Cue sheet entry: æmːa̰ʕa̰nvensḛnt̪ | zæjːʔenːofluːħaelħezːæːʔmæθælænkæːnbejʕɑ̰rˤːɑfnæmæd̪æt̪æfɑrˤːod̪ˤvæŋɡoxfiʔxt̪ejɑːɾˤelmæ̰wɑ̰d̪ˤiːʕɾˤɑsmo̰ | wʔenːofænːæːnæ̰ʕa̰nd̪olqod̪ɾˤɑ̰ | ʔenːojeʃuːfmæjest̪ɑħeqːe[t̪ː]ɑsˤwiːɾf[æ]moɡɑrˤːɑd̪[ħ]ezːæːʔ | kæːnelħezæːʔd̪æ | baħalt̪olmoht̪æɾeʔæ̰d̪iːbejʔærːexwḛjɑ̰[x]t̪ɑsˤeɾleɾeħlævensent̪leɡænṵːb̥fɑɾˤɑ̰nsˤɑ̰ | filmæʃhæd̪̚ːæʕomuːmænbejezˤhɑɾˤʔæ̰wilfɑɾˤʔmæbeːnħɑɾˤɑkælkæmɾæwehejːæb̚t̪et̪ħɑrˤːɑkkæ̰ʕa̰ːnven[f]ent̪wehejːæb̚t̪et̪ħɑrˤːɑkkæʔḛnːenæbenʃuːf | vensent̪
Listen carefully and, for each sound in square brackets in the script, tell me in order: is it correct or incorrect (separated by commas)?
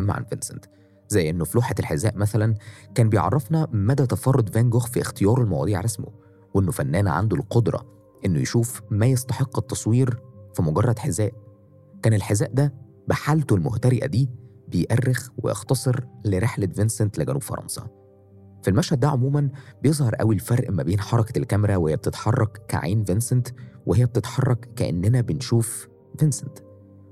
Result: correct, incorrect, correct, correct, incorrect